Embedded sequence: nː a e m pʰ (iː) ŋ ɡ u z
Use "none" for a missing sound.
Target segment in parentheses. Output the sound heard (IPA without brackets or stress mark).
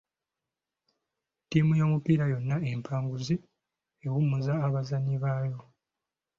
aː